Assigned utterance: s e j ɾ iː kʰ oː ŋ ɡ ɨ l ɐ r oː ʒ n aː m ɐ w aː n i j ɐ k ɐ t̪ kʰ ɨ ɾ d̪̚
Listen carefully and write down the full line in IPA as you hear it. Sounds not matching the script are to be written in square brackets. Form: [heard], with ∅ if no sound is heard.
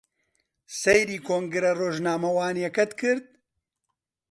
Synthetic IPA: s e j ɾ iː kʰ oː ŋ ɡ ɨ [ɾ] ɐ r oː ʒ n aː m ɐ w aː n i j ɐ k ɐ t̪ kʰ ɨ ɾ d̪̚